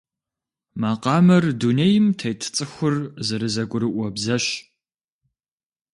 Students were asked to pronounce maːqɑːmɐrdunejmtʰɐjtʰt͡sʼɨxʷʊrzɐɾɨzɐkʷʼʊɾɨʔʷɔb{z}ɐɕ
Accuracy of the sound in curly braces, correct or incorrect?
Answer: correct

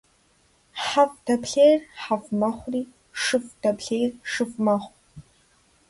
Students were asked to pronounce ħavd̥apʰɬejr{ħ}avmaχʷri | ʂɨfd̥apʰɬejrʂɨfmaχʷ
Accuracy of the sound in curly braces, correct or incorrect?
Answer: correct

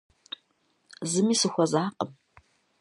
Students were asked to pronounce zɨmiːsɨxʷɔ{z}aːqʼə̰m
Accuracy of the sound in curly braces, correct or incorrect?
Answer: correct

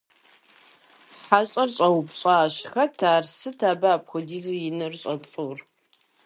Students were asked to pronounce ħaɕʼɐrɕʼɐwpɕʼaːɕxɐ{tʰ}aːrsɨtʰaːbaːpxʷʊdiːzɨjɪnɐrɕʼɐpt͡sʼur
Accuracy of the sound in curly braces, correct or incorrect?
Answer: correct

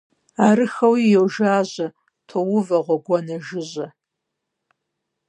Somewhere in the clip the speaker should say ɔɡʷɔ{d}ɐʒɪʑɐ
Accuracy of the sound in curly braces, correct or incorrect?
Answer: incorrect: n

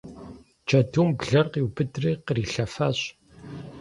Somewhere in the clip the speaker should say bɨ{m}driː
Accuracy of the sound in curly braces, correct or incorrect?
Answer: incorrect: none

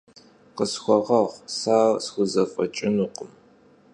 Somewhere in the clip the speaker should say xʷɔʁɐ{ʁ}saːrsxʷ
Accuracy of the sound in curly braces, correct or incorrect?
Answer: correct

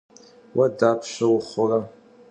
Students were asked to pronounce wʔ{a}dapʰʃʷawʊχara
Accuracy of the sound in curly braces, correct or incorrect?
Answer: correct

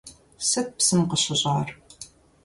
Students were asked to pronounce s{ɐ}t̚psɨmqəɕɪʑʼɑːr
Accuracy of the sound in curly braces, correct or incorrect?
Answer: correct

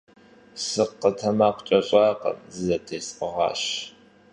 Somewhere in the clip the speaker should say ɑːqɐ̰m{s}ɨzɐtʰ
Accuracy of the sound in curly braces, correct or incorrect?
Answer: incorrect: z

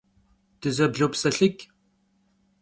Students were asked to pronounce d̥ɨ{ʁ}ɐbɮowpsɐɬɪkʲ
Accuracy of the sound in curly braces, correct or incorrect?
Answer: incorrect: z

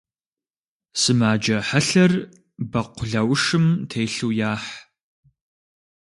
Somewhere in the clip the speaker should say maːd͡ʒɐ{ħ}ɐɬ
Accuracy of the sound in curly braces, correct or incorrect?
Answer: correct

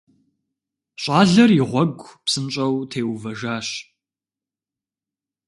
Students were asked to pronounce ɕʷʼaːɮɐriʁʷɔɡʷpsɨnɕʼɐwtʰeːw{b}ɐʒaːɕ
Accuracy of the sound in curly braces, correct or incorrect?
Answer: incorrect: v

